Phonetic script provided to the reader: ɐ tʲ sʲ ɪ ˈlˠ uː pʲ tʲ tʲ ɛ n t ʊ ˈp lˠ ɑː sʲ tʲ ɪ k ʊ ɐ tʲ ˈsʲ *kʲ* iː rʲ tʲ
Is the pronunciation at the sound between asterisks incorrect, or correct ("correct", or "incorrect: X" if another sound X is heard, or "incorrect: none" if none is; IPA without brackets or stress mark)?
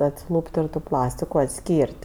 correct